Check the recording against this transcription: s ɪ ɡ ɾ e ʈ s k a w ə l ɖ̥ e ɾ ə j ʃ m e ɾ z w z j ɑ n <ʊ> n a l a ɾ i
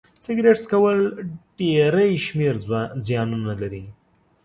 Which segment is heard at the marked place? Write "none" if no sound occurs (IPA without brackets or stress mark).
u